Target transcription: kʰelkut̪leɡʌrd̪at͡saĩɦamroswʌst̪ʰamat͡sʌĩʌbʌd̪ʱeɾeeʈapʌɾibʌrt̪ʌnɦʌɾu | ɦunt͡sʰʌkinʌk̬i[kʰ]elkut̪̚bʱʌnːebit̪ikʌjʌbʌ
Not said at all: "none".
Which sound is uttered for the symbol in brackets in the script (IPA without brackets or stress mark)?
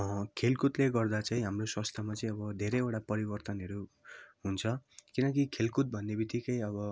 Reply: kʰ